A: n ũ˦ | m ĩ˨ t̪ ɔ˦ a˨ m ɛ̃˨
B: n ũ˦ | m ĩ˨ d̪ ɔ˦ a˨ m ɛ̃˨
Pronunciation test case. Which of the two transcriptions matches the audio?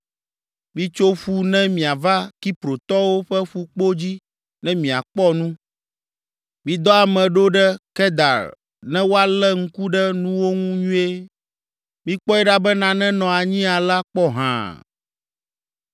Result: B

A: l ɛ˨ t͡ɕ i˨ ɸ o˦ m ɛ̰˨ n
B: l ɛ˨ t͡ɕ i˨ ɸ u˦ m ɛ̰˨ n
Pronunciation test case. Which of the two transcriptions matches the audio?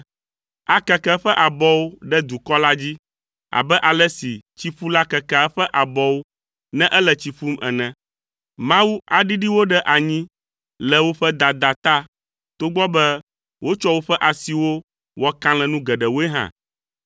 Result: B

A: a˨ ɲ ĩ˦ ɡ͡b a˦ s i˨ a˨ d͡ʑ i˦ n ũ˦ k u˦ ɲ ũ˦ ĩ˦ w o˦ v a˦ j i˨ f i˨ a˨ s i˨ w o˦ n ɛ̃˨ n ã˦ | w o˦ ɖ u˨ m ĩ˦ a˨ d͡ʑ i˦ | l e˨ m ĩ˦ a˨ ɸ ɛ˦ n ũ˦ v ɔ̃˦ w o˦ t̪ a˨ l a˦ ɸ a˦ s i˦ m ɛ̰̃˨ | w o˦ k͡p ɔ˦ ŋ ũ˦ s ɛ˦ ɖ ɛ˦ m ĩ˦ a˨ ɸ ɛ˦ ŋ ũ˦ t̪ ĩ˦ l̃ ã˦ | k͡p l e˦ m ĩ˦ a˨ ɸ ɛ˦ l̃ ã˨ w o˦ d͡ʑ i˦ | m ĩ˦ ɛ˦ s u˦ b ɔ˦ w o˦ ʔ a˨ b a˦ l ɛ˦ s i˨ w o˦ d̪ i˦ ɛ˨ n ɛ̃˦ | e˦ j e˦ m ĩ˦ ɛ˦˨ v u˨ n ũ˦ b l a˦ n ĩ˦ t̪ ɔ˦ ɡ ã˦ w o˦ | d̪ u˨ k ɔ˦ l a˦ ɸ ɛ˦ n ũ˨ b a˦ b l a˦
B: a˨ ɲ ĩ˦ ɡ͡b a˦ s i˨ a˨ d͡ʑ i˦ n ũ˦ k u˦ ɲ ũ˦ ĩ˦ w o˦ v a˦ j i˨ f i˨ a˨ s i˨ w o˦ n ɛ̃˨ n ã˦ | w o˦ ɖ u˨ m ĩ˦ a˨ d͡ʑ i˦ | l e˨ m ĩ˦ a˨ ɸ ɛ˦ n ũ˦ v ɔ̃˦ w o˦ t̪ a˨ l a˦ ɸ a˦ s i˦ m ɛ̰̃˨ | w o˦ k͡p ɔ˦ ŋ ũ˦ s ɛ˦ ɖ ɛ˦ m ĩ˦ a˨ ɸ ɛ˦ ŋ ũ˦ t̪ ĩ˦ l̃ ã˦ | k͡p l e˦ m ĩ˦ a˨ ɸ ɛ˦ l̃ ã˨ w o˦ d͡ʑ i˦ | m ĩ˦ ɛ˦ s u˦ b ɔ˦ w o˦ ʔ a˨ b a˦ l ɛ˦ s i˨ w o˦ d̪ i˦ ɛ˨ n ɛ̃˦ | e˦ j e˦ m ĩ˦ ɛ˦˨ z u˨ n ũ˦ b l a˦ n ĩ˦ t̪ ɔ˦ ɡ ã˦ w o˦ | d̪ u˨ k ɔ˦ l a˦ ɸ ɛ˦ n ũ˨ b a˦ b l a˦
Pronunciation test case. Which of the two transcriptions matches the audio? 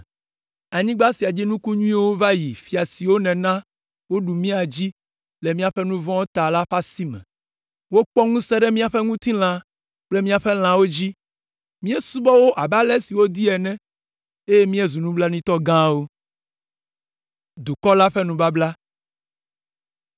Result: B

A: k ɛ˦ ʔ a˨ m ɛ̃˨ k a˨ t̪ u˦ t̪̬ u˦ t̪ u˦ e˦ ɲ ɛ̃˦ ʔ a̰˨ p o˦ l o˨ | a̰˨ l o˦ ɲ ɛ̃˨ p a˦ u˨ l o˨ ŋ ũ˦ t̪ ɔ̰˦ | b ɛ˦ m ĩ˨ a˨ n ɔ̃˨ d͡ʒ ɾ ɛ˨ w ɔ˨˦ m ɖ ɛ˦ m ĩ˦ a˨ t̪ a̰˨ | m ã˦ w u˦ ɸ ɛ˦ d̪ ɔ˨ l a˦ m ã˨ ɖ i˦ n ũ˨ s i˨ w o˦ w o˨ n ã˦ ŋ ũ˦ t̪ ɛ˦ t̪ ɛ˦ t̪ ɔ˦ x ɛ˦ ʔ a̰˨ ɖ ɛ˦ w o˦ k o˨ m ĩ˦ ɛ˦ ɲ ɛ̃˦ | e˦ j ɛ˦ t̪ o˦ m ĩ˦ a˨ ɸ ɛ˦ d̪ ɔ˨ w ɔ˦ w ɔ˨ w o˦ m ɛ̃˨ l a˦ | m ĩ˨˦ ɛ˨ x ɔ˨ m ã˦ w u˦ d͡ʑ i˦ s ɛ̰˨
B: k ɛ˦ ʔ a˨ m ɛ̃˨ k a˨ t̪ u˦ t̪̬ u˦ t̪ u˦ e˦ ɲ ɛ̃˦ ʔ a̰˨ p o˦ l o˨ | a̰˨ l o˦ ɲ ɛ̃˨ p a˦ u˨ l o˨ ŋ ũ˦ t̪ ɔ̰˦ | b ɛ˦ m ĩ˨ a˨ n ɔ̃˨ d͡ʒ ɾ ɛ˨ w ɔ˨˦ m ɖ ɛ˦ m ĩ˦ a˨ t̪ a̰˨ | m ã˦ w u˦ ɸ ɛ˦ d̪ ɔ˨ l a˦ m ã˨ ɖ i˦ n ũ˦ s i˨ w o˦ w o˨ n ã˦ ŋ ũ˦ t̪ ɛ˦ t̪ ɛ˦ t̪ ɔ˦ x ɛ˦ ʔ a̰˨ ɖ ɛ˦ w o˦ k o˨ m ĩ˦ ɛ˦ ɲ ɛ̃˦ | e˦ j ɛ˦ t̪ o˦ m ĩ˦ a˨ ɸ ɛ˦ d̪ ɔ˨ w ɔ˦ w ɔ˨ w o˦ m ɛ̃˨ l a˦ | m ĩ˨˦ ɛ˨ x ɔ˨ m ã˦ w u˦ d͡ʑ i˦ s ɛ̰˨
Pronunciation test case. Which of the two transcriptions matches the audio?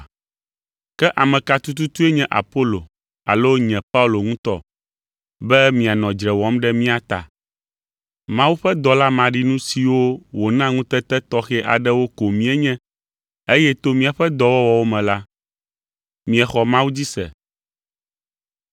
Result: B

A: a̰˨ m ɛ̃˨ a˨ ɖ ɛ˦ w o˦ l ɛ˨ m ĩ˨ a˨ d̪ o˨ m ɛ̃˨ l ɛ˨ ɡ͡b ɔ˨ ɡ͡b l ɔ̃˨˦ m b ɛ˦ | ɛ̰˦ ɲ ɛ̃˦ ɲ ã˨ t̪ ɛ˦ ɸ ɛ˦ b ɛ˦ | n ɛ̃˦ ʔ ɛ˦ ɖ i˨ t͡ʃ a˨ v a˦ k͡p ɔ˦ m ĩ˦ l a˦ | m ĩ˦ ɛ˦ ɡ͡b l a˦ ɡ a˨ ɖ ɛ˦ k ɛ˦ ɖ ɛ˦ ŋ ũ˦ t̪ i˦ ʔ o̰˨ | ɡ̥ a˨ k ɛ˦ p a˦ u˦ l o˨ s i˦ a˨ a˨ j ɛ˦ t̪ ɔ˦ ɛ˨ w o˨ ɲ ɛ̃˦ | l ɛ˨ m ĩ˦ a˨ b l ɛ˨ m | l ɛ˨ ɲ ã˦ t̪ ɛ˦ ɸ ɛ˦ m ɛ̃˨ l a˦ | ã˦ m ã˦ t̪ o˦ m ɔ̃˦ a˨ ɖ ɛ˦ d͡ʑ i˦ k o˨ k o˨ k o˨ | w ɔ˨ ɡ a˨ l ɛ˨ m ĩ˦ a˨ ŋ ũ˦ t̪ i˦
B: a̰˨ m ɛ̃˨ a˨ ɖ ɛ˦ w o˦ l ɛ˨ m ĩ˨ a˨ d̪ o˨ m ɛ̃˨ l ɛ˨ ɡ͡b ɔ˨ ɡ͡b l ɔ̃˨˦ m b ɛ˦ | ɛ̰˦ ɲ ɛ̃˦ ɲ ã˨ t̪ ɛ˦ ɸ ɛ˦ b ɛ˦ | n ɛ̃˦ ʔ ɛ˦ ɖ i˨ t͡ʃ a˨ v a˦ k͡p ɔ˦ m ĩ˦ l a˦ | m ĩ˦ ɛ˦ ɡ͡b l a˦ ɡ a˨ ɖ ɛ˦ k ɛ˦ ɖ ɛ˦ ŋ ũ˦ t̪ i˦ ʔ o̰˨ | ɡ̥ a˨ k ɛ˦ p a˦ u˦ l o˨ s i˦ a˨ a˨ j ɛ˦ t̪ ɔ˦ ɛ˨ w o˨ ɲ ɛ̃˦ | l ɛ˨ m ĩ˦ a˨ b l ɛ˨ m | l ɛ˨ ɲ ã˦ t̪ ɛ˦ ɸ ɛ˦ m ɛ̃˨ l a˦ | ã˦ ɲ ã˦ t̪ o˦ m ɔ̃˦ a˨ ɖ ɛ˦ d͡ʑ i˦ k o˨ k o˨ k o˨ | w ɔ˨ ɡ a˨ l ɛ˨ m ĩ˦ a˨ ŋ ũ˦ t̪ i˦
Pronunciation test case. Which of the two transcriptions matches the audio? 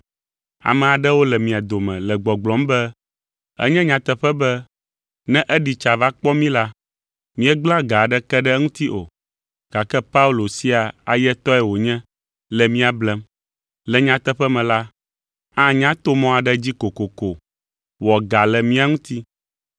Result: B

